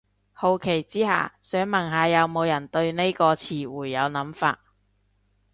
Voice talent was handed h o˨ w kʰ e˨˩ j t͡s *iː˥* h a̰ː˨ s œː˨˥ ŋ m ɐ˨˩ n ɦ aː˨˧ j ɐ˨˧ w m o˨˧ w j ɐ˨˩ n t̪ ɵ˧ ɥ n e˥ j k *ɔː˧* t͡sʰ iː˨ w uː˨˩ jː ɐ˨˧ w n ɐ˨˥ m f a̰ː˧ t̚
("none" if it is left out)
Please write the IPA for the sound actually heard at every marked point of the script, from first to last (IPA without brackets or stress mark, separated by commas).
iː˥, ɔː˧